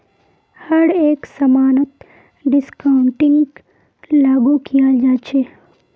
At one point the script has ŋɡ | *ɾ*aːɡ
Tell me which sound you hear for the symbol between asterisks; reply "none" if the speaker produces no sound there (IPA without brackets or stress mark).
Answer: l